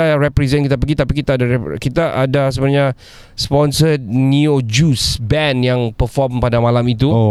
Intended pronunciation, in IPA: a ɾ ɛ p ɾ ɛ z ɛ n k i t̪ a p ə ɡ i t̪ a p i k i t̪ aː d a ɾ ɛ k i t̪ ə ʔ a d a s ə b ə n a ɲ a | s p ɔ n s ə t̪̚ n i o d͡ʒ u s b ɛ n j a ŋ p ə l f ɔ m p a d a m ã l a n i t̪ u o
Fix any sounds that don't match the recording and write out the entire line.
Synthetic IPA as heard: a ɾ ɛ p ɾ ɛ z ɛ n k i t̪ a p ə ɡ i t̪ a p i k i t̪ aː d a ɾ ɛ k i t̪ a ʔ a d a s ə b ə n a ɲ a | s p ɔ n s ə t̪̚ n i o d͡ʒ u s b ɛ n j a ŋ p ə f ɔ m p a d a m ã l a m i t̪ u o